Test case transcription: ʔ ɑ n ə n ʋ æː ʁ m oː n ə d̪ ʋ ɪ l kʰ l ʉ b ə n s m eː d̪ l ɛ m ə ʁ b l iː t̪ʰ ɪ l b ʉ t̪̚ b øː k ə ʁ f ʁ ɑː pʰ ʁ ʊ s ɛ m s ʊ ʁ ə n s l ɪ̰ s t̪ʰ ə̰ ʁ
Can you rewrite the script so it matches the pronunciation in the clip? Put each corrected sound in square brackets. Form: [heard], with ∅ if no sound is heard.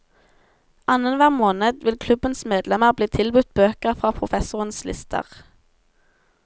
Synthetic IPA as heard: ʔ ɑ n ə n ʋ æː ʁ m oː n ə d̪ ʋ ɪ l kʰ l ʉ b ə n s m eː d̪ l ɛ m ə ʁ b l iː t̪ʰ ɪ l b ʉ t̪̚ b øː k ə ʁ f ʁ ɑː pʰ ʁ ʊ [f] ɛ [∅] s ʊ ʁ ə n s l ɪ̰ s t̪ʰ ə̰ ʁ